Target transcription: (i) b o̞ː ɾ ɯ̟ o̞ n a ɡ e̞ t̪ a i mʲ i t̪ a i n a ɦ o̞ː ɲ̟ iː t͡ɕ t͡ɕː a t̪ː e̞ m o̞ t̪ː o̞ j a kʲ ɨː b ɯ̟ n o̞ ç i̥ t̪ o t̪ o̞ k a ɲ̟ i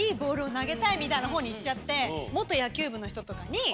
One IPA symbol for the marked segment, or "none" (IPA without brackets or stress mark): iː